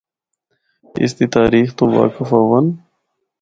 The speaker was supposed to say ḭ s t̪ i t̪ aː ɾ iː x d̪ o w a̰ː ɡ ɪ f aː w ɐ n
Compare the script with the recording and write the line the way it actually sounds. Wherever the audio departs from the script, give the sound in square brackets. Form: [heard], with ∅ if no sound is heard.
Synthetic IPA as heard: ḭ s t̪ i t̪ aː ɾ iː x [t̪] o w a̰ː [k] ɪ f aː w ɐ n